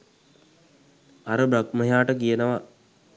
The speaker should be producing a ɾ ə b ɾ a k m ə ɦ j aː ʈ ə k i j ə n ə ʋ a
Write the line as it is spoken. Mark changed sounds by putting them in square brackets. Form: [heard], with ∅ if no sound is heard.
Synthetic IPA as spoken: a ɾ ə b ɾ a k m ə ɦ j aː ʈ ə k i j ə n ə ʋ a